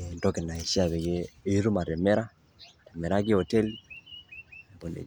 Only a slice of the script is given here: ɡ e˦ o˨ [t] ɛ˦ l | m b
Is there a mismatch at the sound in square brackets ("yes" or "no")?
no